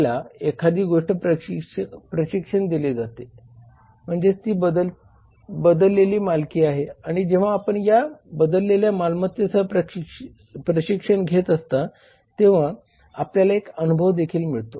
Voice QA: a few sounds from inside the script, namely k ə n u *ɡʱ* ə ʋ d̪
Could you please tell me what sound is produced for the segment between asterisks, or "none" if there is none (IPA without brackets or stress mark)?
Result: bʱ